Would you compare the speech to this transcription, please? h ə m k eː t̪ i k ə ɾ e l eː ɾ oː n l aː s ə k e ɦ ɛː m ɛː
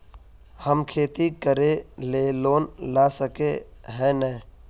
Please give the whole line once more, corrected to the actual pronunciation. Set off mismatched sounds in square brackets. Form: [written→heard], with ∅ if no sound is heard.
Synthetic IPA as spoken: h ə m [k→kʰ] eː t̪ i k ə ɾ e l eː [ɾ→l] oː n l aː s ə k e ɦ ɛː [m→n] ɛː